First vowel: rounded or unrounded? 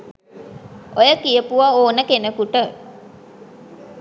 rounded